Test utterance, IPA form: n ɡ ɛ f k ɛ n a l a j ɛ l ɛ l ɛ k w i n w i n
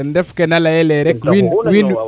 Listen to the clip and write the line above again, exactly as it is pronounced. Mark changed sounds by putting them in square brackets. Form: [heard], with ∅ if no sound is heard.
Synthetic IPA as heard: n [d] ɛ f k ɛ n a l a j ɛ l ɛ [ɾ] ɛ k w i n w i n

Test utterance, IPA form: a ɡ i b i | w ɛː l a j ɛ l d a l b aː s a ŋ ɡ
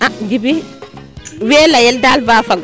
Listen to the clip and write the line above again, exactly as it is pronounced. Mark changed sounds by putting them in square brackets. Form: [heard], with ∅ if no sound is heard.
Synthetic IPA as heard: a ɡ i b i | w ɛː l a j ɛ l d a l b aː [f] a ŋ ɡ

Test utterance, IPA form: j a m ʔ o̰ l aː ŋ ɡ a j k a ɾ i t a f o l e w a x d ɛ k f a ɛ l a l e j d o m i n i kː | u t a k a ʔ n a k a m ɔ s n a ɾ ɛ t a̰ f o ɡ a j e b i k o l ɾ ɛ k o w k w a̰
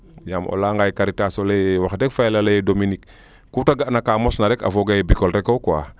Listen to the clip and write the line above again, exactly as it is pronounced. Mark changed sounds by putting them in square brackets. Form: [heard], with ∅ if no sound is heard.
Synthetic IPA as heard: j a m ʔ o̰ l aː ŋ ɡ a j k a ɾ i t a [s] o l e w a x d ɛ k f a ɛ l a l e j d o m i n i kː | u t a [ɡ] a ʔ n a k a m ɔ s n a ɾ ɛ [k] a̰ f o ɡ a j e b i k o l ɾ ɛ k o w k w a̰

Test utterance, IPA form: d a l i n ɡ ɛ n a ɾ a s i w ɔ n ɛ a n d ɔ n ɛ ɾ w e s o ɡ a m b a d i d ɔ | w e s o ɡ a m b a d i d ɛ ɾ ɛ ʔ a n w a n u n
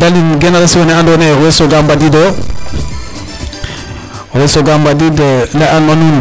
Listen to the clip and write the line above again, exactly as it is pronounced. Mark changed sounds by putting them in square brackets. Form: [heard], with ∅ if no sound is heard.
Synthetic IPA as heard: d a l i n ɡ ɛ n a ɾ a s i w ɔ n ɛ a n d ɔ n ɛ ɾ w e s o ɡ a m b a d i d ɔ | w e s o ɡ a m b a d i d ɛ [l] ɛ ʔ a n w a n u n

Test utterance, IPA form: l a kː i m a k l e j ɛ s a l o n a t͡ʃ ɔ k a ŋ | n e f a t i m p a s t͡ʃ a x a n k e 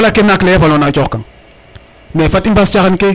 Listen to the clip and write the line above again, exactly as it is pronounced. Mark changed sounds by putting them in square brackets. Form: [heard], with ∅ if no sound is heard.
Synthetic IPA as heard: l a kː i [n] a k l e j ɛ [f] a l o n a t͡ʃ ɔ k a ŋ | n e f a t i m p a s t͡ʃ a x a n k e

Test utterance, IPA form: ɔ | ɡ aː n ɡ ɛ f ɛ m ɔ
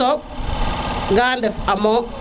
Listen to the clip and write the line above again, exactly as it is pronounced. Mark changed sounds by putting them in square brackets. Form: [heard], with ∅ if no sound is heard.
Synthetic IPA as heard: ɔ | ɡ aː n [d] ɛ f [a] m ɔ

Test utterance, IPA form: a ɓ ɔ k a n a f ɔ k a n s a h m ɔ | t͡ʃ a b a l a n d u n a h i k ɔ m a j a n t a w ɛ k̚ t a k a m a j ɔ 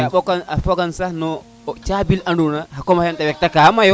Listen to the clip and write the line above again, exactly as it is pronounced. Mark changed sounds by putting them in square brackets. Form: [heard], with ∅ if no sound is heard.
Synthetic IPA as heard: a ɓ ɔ k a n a f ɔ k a n s a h [n] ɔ | t͡ʃ a b [i] l a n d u n a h [a] k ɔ m a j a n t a w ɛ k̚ t a k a m a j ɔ

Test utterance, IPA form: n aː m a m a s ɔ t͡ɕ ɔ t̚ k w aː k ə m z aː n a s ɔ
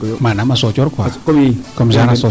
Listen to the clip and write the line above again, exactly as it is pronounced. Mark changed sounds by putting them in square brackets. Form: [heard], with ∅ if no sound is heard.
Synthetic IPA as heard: [m] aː [n] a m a s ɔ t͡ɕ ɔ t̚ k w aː k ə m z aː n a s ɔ

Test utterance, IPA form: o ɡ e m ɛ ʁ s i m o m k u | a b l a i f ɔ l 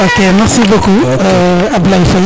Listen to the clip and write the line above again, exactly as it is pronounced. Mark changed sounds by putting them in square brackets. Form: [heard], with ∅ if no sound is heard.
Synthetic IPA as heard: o [k] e m ɛ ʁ s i [b] o [∅] k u | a b l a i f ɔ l

